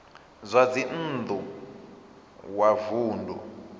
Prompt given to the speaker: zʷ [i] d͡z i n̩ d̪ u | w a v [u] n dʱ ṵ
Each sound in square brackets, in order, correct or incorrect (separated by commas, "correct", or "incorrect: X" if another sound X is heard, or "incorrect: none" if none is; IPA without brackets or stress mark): incorrect: a, incorrect: uː